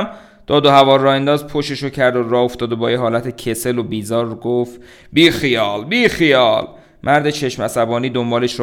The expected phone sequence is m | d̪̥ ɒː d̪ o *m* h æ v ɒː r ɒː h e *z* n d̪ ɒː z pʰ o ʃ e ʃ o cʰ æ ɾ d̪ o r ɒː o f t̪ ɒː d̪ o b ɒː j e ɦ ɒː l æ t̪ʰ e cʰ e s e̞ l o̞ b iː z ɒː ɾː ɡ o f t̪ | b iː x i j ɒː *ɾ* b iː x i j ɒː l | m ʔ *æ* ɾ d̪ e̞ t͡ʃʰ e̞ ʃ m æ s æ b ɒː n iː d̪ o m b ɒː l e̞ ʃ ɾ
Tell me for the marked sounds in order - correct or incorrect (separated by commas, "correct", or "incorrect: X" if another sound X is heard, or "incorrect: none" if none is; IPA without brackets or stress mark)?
incorrect: none, incorrect: none, incorrect: l, correct